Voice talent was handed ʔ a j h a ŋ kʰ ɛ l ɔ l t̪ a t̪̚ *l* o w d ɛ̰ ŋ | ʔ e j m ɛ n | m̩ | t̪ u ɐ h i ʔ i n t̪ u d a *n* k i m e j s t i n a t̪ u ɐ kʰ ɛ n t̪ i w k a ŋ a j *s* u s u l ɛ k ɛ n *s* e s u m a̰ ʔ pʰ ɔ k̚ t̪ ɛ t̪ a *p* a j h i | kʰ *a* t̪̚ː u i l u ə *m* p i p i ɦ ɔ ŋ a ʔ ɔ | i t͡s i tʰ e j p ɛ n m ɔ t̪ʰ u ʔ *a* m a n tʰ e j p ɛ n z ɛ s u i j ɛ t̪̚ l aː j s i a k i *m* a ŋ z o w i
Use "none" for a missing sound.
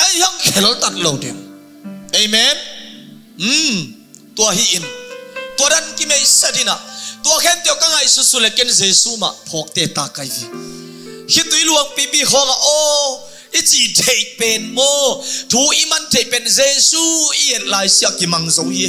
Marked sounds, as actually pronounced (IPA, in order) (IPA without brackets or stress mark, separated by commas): l, n, s, z, k, i, ŋ, i, m